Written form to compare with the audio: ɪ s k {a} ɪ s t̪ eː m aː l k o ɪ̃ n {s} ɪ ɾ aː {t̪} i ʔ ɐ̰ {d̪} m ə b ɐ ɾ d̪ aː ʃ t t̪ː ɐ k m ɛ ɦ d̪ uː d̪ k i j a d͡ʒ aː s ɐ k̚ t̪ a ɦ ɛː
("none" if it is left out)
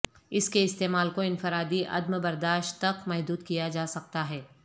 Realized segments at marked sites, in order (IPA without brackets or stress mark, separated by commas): e, f, d̪, d̪